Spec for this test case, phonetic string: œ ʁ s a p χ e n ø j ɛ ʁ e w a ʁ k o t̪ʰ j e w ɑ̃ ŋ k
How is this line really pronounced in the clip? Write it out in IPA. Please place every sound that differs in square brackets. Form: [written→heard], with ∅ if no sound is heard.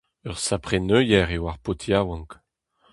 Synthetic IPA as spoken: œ ʁ s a p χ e n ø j ɛ ʁ e w a ʁ [k→p] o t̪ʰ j [e→a] w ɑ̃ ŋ k